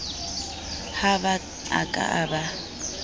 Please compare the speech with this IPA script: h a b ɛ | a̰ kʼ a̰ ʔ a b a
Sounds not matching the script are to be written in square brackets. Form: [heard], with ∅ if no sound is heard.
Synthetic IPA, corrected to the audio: h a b [a] | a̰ kʼ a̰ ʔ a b a